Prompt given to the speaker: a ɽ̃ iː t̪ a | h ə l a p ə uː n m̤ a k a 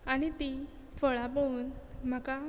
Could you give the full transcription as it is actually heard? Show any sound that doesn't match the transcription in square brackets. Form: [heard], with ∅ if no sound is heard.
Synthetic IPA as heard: a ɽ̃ [i] t̪ [i] | [f] ə [ɭ] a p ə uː n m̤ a k a